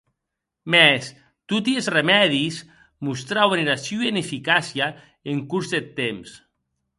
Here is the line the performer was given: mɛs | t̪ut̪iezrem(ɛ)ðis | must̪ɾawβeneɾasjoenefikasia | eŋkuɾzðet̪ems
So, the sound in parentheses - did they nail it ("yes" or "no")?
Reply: yes